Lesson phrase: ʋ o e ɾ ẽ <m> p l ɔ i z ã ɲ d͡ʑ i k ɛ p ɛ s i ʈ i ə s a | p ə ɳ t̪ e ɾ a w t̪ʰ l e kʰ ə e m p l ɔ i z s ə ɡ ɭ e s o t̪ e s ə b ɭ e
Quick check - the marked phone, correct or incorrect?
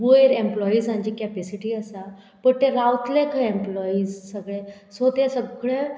correct